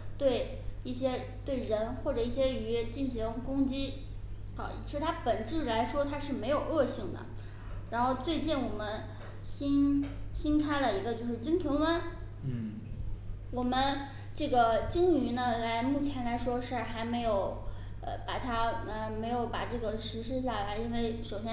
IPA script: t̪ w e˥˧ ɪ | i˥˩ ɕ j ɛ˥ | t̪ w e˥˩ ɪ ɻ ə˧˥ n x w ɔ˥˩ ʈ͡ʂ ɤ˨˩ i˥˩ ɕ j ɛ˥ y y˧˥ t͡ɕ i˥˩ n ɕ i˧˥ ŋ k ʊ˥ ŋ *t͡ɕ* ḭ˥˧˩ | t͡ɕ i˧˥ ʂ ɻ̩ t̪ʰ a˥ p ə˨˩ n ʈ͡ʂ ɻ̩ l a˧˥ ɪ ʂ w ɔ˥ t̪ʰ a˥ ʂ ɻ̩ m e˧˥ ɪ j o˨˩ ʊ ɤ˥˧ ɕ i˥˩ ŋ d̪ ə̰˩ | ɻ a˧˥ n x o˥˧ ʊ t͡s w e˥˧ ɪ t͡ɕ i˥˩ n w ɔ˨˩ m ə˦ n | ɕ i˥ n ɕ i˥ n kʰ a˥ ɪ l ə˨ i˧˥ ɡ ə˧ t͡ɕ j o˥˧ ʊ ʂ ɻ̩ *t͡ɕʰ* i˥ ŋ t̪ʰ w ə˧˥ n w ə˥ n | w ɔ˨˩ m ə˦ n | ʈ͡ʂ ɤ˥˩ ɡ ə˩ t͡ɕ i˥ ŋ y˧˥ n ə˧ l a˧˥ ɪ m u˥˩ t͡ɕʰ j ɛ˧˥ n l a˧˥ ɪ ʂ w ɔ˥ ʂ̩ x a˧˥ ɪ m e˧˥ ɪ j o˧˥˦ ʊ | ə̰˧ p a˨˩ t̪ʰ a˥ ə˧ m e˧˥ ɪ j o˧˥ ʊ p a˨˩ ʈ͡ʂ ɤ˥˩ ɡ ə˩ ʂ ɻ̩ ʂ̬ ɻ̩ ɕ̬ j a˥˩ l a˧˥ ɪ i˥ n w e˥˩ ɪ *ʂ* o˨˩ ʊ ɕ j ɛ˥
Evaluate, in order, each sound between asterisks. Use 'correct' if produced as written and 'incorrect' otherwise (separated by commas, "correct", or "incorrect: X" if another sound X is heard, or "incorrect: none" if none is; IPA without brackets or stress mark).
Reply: correct, incorrect: t͡ɕ, correct